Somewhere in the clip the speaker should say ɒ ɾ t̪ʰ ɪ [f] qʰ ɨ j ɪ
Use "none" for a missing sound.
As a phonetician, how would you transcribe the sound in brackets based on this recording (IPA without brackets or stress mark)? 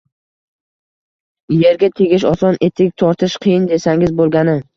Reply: ʃ